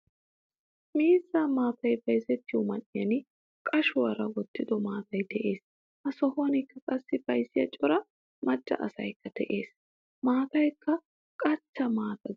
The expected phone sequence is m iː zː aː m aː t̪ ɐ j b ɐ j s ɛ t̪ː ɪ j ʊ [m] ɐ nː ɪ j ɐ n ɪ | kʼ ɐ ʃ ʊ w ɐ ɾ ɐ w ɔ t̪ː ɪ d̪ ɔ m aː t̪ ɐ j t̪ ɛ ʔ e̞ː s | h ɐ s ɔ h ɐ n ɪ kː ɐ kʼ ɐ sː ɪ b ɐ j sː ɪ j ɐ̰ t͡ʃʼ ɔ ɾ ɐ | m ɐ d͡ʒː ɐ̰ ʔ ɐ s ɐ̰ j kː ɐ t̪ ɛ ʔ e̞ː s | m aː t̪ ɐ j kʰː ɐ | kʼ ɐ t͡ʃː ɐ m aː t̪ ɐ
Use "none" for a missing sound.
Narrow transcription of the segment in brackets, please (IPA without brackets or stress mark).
m